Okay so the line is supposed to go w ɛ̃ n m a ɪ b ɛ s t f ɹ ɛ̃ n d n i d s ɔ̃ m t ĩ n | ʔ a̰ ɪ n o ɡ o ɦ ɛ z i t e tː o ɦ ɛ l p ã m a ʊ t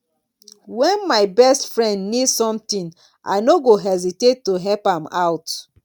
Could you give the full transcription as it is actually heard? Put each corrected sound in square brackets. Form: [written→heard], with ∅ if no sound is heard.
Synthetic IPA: w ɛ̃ n m a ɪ b ɛ s t f ɹ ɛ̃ n d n i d s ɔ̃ m t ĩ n | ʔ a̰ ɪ n o ɡ o ɦ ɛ z i t e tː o ɦ ɛ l p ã m a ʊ t